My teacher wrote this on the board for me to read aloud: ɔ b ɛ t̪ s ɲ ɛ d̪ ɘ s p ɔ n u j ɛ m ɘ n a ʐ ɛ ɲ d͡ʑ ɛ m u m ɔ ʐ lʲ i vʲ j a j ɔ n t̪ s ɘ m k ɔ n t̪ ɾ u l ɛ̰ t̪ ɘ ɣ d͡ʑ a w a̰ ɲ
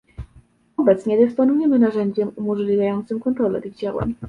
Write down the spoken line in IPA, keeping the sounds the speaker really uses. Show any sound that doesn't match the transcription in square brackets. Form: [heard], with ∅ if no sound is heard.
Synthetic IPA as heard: ɔ b ɛ t̪ s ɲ ɛ d̪ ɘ s p ɔ n u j ɛ m ɘ n a ʐ ɛ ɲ d͡ʑ ɛ m u m ɔ ʐ lʲ i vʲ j a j ɔ n t̪ s ɘ m k ɔ n t̪ ɾ [ɔ] l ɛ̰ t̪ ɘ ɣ d͡ʑ a w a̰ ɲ